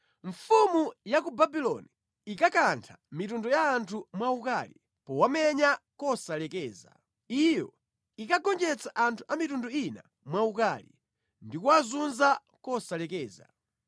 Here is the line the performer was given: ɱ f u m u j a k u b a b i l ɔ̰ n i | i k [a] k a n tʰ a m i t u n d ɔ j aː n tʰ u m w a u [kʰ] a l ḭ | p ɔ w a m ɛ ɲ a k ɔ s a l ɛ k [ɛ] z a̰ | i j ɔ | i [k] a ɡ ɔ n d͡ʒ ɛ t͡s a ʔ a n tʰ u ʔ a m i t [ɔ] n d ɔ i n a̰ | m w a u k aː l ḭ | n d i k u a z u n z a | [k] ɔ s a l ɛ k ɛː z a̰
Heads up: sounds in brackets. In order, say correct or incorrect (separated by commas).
correct, incorrect, incorrect, correct, incorrect, correct